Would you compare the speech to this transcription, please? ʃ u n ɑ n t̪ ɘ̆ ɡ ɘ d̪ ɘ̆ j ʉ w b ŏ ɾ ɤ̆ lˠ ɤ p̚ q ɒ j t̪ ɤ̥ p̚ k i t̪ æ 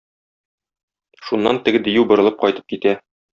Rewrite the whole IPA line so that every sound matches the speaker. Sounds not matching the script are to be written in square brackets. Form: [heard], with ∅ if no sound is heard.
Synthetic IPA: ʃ u [nː] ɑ n t̪ ɘ̆ ɡ ɘ d̪ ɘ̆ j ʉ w b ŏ ɾ ɤ̆ lˠ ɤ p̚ q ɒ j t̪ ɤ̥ p̚ k i t̪ æ